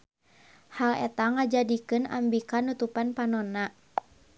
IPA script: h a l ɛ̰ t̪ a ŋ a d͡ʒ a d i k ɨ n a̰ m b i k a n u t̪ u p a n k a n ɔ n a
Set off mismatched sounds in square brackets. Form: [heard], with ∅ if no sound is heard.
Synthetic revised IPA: h a l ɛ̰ t̪ a ŋ a d͡ʒ a d i k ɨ n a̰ m b i k a n u t̪ u p a n [p] a n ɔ n a